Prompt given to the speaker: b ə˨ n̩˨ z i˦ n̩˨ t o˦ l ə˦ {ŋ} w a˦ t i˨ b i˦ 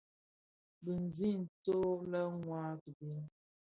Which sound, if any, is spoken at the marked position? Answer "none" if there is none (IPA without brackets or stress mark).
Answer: ŋ